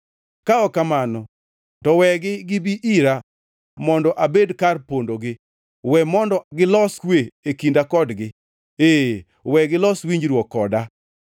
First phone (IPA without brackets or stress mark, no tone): k